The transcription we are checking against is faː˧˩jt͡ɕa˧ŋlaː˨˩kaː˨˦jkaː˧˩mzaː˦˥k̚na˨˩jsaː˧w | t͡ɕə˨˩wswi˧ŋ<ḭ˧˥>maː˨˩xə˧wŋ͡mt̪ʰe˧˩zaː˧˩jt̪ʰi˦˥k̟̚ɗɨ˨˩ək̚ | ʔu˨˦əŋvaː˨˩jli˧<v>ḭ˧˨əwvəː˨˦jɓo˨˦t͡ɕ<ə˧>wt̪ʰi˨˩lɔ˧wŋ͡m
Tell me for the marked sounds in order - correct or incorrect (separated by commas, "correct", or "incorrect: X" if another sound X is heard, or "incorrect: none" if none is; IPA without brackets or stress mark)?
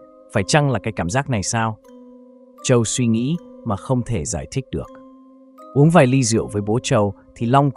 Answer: correct, incorrect: z, incorrect: ə˨˩